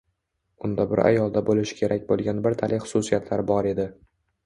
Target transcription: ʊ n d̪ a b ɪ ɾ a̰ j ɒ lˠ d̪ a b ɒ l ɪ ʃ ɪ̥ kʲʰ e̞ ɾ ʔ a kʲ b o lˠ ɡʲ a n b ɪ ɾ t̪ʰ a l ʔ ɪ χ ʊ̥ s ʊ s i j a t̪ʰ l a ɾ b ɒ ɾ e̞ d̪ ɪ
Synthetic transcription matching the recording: ʊ n d̪ a b ɪ ɾ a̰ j ɒ lˠ d̪ a b o l ɪ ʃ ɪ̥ kʲʰ e̞ ɾ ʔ a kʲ b o lˠ ɡʲ a n b ɪ ɾ t̪ʰ a l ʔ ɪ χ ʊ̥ s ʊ s i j a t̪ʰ l a ɾ b ɒ ɾ e̞ d̪ ɪ

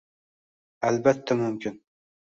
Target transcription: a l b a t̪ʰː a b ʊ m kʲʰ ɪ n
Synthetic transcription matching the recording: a l b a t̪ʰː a m ʊ m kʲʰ ɪ n

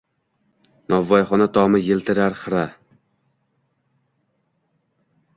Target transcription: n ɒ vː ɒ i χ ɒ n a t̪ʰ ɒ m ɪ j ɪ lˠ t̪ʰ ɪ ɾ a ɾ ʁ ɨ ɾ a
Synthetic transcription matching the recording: n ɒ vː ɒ j χ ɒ n a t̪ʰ ɒ m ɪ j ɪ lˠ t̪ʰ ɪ ɾ a ɾ χ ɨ ɾ a

